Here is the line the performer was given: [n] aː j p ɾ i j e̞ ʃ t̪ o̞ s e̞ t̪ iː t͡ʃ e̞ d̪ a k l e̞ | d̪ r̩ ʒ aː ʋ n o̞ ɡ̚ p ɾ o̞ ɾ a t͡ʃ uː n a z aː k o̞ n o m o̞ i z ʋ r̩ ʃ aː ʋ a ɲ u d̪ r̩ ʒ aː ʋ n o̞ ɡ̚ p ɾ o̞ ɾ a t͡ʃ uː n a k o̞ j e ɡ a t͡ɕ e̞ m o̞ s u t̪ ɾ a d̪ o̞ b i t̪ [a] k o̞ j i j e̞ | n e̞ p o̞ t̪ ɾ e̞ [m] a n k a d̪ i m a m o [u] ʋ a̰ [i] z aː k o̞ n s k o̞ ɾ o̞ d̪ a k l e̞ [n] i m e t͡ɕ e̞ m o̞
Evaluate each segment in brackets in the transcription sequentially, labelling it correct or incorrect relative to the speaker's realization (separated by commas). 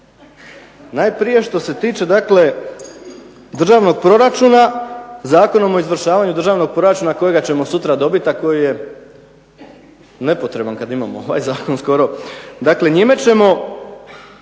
correct, correct, incorrect, incorrect, incorrect, incorrect